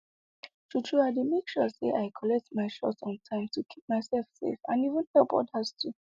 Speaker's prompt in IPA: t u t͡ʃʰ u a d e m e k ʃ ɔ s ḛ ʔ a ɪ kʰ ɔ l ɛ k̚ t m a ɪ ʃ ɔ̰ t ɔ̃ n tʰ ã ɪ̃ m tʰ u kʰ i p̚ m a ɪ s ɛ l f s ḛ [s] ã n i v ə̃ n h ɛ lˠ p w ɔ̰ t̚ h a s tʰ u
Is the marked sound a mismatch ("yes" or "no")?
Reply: yes